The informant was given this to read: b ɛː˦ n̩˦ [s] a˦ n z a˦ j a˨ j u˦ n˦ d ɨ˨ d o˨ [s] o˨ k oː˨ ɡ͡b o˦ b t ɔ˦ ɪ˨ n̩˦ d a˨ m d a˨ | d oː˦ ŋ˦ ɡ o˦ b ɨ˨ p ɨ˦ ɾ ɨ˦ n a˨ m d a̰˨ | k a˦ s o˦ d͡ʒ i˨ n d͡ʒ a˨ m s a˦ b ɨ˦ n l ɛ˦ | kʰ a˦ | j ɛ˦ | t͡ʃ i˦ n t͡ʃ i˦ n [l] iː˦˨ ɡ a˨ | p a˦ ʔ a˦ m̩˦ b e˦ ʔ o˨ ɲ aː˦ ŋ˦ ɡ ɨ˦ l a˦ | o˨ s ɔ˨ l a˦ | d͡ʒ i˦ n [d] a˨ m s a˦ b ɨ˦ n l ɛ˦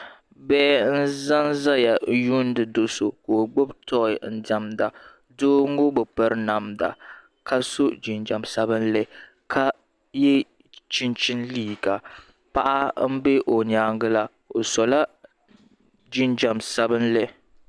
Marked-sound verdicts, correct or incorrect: incorrect, correct, correct, incorrect

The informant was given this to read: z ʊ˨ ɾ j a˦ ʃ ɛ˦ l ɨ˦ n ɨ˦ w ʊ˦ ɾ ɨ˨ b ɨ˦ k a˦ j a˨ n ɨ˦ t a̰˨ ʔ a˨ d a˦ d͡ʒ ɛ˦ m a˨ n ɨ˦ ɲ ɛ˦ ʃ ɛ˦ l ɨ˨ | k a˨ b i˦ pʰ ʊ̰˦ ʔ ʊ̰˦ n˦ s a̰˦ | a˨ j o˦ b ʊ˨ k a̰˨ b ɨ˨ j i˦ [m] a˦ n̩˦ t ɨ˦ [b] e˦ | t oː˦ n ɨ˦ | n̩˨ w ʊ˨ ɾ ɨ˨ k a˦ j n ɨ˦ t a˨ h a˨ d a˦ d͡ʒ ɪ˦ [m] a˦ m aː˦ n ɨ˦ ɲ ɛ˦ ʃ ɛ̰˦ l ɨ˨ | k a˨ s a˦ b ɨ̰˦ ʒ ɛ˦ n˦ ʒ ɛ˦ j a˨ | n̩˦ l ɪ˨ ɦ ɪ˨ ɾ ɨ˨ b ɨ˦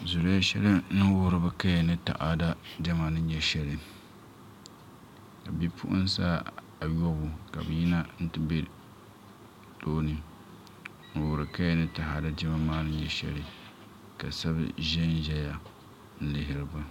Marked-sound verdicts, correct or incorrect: incorrect, correct, correct

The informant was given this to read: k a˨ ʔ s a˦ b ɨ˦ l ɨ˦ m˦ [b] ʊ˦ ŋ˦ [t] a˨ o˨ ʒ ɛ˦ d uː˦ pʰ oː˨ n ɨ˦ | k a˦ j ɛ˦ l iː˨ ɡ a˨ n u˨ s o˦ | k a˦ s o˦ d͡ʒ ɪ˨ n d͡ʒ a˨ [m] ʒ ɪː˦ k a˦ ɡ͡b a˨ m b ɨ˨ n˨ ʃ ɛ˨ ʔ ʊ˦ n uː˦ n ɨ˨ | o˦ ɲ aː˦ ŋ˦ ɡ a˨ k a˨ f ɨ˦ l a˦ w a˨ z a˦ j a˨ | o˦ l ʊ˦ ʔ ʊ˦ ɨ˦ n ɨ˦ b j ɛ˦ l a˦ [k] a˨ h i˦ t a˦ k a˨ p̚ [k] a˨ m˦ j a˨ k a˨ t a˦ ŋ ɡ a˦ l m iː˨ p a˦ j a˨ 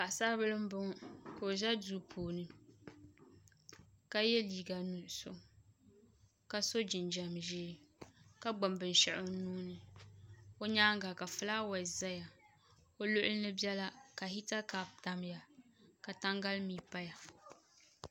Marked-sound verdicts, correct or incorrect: correct, incorrect, correct, correct, incorrect

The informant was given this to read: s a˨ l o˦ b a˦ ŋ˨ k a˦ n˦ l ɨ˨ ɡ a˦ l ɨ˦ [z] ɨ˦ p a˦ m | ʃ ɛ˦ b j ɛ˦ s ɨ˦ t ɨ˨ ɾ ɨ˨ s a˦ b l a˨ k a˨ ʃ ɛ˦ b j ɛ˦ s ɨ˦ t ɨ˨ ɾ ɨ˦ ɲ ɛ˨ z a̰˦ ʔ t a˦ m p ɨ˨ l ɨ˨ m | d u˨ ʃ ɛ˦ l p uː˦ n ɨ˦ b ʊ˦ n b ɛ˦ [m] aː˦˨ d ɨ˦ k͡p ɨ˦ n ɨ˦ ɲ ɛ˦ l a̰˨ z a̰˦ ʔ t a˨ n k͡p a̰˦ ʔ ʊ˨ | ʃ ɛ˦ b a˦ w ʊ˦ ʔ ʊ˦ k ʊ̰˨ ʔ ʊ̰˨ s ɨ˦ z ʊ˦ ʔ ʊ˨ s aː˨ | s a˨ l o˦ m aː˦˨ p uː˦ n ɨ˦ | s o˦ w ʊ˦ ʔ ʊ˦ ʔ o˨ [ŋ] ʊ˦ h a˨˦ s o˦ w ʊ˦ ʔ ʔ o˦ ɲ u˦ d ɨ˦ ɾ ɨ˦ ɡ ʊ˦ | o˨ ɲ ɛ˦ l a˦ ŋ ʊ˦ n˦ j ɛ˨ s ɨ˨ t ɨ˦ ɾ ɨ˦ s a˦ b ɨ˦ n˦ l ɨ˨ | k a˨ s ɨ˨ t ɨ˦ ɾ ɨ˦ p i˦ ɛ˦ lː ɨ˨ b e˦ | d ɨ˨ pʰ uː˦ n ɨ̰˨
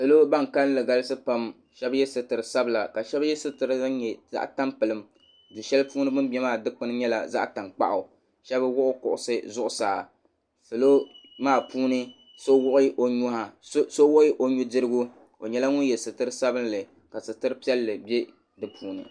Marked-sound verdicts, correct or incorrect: incorrect, correct, incorrect

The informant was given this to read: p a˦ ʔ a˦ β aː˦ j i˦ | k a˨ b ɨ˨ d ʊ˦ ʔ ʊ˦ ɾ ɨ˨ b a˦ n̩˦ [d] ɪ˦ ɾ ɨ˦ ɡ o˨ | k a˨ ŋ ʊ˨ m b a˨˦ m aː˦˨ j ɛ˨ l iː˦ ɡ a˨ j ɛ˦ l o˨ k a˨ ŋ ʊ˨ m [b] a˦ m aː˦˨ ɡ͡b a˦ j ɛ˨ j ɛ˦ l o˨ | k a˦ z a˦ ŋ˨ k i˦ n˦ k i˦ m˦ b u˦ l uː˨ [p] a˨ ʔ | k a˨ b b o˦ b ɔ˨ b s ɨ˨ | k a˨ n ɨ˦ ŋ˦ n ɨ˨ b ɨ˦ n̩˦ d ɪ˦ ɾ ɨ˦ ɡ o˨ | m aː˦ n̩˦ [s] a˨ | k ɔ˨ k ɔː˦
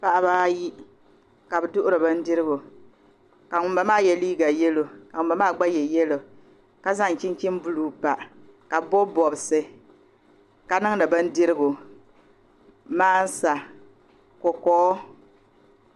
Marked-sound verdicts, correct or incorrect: correct, correct, correct, correct

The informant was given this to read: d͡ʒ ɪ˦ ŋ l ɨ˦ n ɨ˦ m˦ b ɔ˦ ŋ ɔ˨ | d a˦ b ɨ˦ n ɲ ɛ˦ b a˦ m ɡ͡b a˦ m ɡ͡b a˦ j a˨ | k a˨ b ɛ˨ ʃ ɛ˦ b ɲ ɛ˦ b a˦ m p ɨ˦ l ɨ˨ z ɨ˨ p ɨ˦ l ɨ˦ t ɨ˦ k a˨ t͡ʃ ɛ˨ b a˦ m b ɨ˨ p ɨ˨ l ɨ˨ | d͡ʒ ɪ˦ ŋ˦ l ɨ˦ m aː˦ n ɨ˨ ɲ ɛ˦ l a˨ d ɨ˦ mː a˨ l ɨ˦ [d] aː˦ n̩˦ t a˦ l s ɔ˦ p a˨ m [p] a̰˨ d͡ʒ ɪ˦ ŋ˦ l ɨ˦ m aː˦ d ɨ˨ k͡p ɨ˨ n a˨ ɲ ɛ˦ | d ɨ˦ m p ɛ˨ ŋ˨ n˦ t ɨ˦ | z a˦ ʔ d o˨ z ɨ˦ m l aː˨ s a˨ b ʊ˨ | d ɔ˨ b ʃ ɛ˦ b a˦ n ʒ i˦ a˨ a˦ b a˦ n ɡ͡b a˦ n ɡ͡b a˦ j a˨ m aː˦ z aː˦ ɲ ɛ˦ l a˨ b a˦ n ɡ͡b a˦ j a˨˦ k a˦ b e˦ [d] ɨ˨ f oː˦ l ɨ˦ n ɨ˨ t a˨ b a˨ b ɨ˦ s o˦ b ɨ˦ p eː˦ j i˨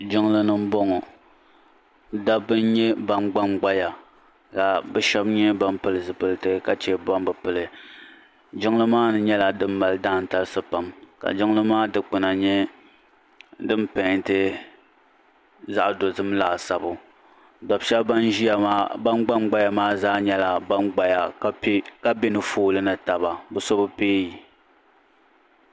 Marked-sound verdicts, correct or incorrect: correct, incorrect, incorrect

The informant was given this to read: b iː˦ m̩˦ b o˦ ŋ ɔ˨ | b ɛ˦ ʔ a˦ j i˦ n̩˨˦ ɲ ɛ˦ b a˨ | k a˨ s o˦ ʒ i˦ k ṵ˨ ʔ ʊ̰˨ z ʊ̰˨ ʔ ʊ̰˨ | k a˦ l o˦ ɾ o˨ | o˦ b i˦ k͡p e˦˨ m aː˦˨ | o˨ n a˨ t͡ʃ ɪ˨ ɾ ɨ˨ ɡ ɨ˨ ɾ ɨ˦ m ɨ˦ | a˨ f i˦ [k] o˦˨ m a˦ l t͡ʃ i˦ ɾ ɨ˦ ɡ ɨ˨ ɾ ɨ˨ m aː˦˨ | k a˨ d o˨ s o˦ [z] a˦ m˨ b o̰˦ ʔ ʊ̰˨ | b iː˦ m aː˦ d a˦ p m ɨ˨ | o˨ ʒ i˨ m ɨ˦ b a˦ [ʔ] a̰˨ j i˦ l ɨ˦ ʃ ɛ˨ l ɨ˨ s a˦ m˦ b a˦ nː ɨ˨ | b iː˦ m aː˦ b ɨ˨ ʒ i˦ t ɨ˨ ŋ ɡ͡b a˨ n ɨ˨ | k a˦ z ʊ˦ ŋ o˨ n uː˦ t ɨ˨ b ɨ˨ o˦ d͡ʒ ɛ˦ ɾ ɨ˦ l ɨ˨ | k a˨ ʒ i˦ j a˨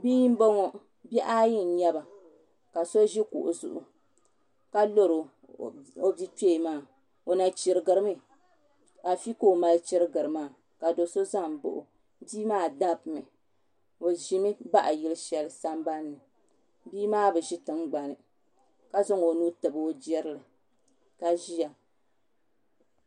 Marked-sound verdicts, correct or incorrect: correct, correct, correct

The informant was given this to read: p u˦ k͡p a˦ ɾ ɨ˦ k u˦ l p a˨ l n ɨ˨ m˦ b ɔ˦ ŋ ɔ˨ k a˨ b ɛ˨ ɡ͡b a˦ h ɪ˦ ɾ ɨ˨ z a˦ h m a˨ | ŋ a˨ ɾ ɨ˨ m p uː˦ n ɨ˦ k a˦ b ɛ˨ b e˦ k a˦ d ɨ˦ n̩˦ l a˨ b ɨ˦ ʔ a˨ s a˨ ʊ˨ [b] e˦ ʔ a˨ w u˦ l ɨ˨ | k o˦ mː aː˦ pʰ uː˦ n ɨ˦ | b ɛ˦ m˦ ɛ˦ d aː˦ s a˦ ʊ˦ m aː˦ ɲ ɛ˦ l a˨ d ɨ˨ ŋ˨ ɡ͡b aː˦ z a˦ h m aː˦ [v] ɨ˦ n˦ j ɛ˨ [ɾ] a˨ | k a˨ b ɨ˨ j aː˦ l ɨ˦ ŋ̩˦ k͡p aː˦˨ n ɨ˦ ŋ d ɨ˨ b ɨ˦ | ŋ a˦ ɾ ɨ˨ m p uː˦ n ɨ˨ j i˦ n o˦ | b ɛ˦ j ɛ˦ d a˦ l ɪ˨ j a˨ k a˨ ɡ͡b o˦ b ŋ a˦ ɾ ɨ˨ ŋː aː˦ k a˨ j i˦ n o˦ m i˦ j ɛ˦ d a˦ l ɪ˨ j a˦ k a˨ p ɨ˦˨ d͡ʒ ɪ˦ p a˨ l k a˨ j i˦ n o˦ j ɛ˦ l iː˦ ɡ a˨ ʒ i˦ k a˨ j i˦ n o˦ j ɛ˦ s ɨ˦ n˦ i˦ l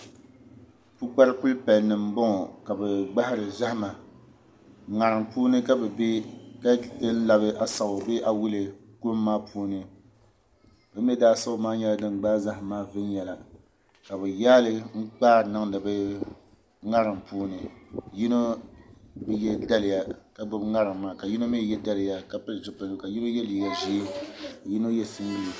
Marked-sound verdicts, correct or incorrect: correct, correct, incorrect

